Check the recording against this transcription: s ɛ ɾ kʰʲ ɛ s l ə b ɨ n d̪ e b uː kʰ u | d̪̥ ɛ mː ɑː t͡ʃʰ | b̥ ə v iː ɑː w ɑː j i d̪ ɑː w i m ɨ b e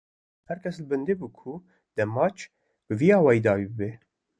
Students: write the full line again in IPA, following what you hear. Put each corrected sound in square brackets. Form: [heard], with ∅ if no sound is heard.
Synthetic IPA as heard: [h] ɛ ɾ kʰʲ ɛ s l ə b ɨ n d̪ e b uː kʰ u | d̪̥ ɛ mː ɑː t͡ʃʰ | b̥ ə v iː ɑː w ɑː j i d̪ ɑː w i [b] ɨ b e